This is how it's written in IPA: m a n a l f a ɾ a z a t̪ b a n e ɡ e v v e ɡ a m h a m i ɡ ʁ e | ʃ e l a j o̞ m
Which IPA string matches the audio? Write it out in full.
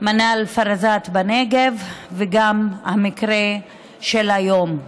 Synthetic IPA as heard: m a n a l f a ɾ a z a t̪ b a n e ɡ e v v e ɡ a m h a m i k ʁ e | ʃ e l a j o̞ m